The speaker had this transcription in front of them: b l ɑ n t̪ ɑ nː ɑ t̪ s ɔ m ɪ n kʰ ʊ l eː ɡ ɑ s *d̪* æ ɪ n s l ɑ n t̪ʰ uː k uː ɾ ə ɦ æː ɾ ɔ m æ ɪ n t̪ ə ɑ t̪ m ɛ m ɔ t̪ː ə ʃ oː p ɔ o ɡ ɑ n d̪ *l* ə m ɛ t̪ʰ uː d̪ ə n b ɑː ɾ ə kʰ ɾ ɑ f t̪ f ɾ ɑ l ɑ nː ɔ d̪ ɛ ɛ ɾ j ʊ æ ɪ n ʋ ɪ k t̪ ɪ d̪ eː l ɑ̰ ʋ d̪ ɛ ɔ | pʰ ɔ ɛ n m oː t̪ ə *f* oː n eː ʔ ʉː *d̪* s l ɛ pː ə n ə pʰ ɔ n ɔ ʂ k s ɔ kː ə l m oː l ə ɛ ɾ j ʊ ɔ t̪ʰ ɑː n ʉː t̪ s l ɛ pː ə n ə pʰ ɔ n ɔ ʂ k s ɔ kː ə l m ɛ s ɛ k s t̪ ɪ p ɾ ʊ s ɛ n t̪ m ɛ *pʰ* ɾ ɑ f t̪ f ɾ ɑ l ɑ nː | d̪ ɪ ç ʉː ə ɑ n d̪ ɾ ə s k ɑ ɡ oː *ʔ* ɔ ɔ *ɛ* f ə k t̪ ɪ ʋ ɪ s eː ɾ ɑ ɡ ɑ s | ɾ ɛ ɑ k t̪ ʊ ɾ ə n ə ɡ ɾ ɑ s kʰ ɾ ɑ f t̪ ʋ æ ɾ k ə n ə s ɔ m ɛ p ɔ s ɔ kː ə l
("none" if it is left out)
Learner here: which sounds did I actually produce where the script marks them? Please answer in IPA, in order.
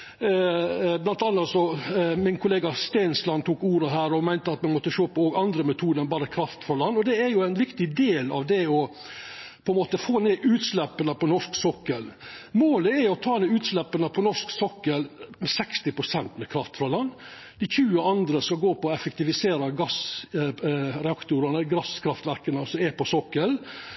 t̪, ɾ, f, t̪, kʰ, p, ɛ

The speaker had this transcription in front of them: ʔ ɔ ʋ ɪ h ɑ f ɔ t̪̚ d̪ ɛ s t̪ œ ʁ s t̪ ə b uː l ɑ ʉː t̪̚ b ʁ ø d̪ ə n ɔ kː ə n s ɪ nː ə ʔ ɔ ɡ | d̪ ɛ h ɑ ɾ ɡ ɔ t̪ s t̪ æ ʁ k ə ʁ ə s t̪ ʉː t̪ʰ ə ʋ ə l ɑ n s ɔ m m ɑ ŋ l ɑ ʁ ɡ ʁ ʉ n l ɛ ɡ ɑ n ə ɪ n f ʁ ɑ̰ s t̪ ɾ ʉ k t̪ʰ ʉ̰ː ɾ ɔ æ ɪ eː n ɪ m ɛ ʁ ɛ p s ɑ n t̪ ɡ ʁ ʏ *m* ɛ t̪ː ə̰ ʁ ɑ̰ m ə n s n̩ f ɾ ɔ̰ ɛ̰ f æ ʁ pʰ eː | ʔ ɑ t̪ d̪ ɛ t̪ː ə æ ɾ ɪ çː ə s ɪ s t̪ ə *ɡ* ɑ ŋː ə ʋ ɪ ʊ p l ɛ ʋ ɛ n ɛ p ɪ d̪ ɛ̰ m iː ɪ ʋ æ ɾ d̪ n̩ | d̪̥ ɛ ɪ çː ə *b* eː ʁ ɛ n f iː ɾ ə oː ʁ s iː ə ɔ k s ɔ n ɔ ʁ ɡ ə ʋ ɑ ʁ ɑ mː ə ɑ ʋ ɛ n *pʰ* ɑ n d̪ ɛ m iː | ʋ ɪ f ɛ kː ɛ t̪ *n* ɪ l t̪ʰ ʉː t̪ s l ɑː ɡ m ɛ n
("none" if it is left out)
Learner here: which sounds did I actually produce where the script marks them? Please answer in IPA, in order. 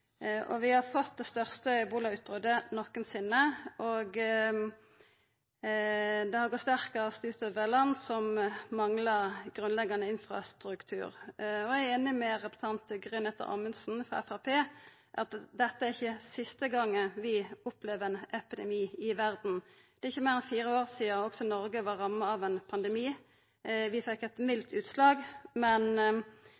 n, ɡ, m, pʰ, m

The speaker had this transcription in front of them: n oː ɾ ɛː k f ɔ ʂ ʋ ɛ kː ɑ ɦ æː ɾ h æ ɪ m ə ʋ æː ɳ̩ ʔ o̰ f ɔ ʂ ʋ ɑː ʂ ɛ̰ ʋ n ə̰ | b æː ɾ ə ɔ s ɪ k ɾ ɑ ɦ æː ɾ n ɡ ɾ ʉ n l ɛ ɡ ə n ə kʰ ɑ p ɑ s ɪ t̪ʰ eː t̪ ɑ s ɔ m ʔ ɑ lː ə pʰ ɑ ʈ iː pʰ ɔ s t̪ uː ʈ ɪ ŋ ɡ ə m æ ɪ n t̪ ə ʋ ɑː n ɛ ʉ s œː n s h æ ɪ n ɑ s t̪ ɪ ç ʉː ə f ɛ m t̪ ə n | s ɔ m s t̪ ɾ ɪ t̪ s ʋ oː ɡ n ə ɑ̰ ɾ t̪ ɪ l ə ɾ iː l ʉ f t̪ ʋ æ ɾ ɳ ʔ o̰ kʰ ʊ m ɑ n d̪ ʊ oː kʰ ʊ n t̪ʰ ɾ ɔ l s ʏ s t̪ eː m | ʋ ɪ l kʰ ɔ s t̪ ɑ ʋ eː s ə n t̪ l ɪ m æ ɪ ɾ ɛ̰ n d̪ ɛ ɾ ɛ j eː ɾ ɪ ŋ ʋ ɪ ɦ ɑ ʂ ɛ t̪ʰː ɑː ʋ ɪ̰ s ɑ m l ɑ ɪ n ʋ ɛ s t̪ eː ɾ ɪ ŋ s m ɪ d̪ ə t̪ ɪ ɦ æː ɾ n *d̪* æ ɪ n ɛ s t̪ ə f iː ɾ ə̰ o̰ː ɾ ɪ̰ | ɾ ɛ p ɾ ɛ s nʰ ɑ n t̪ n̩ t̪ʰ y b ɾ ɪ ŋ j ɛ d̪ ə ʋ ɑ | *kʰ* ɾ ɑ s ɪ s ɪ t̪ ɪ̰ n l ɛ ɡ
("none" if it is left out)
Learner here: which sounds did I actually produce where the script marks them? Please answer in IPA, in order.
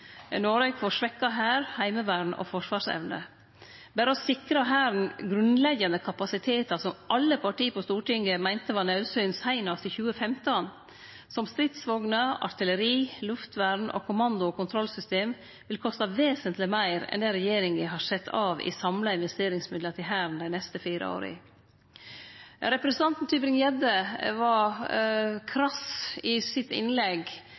d̪, kʰ

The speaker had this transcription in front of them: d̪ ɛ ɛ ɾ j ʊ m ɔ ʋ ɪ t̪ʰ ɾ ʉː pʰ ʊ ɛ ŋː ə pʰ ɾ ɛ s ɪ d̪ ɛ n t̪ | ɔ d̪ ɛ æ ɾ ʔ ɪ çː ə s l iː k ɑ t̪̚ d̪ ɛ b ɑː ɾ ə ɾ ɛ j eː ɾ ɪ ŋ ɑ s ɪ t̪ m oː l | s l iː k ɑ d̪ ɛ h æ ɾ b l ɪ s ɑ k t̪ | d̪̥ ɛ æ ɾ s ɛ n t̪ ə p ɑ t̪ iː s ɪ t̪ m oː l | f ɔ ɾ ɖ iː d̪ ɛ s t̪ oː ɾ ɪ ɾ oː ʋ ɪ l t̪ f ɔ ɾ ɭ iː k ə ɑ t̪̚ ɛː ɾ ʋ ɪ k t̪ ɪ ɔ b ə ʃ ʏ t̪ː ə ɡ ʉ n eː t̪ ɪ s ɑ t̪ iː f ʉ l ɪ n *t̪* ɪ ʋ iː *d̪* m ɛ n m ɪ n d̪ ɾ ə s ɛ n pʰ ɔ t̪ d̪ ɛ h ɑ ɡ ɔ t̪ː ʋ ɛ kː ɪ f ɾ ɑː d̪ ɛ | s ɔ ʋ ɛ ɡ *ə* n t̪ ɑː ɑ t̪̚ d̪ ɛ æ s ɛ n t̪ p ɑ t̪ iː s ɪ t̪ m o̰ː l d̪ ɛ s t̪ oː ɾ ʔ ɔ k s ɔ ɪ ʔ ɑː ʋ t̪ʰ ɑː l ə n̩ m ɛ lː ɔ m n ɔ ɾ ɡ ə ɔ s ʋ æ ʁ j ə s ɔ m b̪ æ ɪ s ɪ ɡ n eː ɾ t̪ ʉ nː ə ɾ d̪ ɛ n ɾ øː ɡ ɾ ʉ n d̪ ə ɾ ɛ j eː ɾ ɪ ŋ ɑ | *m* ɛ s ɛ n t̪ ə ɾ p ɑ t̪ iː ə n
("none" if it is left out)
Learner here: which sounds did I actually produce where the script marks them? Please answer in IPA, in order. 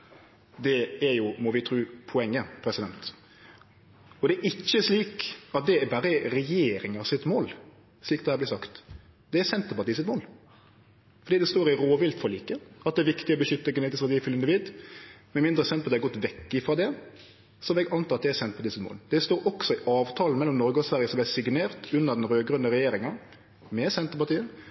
d̪, d̪, ɑ, m

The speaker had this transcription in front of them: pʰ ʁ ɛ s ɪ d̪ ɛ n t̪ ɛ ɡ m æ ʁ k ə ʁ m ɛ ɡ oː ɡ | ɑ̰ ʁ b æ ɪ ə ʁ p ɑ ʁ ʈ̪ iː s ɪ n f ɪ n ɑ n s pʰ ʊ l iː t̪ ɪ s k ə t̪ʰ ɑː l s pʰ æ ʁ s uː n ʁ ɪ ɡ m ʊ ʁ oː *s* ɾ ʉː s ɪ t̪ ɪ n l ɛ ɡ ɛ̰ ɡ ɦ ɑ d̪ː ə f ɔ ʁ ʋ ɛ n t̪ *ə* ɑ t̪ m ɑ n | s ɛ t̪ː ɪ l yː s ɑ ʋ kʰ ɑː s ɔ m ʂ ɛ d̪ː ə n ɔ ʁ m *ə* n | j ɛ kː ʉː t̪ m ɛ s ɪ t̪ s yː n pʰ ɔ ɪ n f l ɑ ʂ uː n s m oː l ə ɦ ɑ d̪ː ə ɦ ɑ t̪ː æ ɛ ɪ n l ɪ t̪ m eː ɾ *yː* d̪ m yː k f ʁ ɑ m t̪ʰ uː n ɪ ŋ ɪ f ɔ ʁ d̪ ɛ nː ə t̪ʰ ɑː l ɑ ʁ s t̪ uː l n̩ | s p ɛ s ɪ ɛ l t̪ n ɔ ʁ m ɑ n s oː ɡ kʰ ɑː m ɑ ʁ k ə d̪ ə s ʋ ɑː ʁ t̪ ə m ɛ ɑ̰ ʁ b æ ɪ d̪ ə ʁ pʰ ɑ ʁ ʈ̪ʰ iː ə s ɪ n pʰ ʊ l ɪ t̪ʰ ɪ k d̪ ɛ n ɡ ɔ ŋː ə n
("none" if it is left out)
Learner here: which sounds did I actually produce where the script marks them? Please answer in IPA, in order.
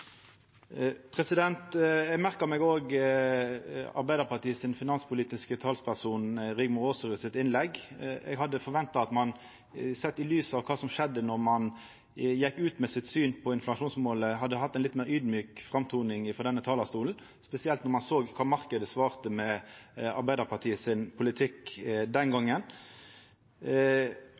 s, ɑ, ɑ, yː

